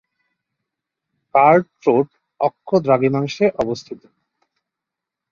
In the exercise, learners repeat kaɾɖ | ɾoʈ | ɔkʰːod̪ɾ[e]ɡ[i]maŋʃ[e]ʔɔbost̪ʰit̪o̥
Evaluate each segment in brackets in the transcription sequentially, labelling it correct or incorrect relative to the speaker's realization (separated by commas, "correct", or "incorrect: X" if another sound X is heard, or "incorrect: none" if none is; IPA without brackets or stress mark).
incorrect: a, correct, correct